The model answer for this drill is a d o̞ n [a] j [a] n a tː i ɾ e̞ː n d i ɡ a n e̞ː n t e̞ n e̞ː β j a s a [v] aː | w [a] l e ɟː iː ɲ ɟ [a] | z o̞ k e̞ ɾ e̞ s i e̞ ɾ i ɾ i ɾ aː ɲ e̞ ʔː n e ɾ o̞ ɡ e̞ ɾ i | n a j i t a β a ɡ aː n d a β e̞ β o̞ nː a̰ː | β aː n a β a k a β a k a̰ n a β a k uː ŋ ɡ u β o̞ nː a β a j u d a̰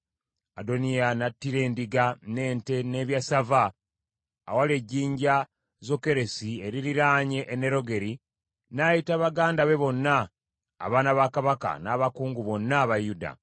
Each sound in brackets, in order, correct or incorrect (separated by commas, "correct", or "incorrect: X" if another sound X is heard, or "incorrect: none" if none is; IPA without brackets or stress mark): incorrect: i, correct, correct, correct, correct